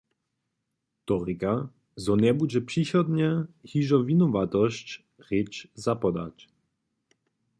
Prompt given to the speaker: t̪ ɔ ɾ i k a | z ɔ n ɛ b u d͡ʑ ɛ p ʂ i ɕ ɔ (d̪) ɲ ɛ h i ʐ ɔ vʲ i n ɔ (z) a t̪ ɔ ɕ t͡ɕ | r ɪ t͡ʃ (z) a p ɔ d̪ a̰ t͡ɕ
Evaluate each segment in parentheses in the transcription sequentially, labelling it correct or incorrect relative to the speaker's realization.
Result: correct, incorrect, correct

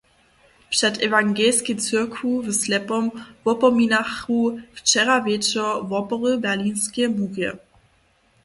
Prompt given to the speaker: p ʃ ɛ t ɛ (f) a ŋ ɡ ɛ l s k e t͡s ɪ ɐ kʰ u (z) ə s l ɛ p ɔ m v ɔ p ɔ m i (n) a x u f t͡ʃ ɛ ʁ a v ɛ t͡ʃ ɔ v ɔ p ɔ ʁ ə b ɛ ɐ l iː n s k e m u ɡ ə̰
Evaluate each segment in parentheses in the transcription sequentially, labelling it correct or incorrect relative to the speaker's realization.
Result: incorrect, incorrect, correct

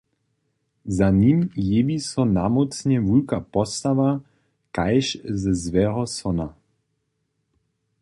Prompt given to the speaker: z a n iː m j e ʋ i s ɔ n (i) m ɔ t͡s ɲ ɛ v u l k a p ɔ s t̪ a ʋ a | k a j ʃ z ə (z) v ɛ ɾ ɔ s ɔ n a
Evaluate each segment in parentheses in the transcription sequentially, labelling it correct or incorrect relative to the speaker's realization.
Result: incorrect, correct

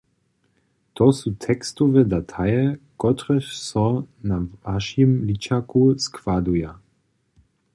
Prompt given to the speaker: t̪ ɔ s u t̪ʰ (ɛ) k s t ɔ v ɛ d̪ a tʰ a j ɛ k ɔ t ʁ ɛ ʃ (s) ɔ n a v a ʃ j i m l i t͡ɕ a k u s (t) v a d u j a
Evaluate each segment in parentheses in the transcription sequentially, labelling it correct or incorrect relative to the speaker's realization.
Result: correct, correct, incorrect

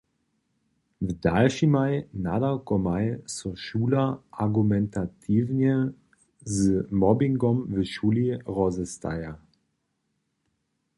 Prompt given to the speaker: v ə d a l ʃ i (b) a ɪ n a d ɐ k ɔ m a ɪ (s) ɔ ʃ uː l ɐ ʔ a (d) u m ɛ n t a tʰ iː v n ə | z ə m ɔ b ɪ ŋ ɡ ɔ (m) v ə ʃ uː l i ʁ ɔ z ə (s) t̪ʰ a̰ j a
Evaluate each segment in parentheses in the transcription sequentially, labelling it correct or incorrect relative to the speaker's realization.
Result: incorrect, correct, incorrect, correct, correct

